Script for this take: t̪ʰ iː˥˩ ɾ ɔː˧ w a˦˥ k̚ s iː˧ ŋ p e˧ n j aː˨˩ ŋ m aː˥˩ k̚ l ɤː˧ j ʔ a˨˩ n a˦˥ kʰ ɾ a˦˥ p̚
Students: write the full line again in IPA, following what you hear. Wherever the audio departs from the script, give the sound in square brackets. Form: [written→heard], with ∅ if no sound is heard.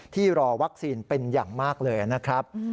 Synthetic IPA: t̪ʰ iː˥˩ ɾ ɔː˧ w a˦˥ k̚ s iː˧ [ŋ→n] p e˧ n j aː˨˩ ŋ m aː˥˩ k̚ l ɤː˧ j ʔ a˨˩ n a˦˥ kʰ ɾ a˦˥ p̚